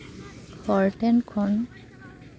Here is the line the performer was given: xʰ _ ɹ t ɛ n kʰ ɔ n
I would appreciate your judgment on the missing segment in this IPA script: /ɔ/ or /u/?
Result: ɔ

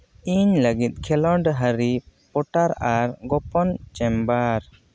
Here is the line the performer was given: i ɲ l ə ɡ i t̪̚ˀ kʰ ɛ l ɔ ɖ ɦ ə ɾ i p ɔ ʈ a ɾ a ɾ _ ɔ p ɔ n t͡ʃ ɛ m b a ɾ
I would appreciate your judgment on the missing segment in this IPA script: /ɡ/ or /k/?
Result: ɡ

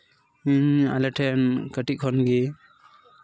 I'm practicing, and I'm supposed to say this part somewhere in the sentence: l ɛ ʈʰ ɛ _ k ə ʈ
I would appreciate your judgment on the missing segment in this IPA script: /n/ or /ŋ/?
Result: n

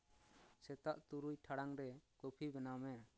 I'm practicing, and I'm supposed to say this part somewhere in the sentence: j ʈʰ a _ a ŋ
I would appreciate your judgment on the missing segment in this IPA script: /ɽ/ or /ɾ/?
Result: ɽ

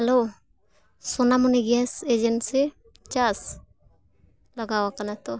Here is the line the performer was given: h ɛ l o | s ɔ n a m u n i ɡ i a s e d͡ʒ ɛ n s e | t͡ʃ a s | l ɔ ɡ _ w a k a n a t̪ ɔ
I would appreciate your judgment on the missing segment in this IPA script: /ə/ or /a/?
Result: a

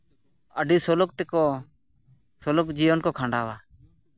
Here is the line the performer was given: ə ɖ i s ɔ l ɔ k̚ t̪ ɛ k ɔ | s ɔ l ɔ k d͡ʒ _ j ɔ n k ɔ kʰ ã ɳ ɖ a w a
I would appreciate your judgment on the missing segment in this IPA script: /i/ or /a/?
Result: i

